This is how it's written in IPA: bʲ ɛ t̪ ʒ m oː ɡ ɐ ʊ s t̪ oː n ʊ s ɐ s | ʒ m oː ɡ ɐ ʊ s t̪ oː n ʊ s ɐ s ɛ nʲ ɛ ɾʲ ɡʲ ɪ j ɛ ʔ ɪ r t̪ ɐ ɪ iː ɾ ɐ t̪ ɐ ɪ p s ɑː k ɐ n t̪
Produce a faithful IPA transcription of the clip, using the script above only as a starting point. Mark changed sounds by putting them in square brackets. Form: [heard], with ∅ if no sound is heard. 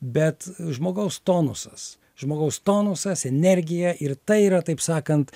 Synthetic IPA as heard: bʲ ɛ t̪ ʒ m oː ɡ ɐ ʊ s t̪ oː n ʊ s ɐ s | ʒ m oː ɡ ɐ ʊ s t̪ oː n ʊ s ɐ s ɛ nʲ ɛ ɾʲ ɡʲ ɪ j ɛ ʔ ɪ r t̪ ɐ ɪ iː ɾ ɐ t̪ ɐ ɪ p s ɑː k ɐ n t̪